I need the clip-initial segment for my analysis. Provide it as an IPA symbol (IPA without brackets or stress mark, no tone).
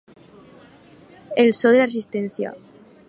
e